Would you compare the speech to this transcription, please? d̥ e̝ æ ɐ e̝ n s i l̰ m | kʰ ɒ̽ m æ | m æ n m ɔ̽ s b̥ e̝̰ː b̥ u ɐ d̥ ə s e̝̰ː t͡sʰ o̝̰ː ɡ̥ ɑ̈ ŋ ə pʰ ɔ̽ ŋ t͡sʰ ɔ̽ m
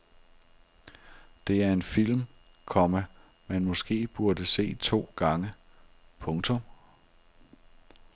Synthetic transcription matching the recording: d̥ e̝ æ ɐ e̝ n f i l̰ m | kʰ ɒ̽ m æ | m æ n m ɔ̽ s ɡ̥ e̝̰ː b̥ u ɐ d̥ ə s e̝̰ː t͡sʰ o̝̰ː ɡ̥ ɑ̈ ŋ ə pʰ ɔ̽ ŋ t͡sʰ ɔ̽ m